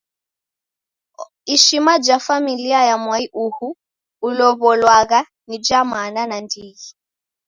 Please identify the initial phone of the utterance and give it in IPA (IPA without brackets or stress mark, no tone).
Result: i